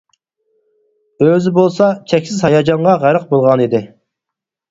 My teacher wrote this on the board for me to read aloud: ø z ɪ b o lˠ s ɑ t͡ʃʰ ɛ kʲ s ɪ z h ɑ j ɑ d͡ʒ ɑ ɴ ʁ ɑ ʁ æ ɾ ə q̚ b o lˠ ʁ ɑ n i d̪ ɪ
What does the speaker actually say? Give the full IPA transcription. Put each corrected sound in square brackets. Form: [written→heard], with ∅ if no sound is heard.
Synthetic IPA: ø z ɪ b o lˠ s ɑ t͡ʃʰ ɛ kʲ s ɪ z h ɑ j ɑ d͡ʒ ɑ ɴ ʁ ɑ ʁ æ ɾ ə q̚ b o lˠ ʁ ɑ n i d̪ ɪ